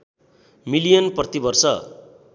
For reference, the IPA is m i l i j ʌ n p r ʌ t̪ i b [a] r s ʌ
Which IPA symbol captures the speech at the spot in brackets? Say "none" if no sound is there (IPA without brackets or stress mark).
ʌ